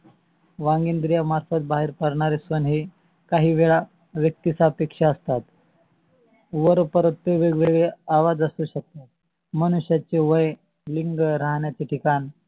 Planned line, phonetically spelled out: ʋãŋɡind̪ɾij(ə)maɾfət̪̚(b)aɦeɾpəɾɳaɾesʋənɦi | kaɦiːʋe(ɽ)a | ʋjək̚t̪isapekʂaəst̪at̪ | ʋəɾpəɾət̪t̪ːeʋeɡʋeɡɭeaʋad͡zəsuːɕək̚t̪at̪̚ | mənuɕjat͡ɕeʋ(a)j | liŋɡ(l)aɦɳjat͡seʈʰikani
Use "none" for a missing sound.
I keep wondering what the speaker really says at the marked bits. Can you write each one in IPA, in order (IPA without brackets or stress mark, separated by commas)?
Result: a, b, ɭ, ə, ɾ